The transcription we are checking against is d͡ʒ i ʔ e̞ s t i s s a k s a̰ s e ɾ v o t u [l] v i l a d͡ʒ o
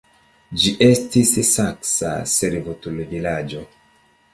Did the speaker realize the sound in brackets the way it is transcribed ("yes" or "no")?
yes